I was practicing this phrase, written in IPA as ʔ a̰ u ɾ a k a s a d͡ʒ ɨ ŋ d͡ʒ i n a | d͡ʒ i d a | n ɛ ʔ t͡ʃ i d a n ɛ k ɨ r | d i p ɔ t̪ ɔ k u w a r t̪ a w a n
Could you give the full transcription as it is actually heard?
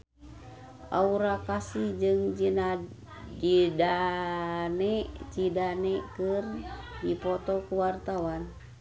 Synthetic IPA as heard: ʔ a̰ u ɾ a k a s i d͡ʒ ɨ ŋ d͡ʒ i n a | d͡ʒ i d a | n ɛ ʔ t͡ʃ i d a n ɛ k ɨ r | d i p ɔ t̪ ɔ k u w a r t̪ a w a n